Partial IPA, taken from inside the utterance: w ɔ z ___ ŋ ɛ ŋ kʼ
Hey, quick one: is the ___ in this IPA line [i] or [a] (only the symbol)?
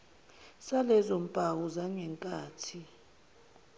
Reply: a